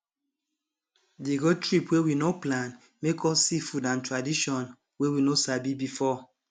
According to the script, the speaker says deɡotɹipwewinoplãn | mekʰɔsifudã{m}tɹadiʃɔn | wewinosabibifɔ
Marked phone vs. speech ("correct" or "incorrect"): incorrect